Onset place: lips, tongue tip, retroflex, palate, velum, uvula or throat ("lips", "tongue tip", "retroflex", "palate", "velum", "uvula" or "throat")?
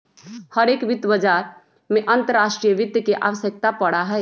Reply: throat